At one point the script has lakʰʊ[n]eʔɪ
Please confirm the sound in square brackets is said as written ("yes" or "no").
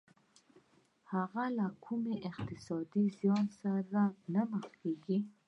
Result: no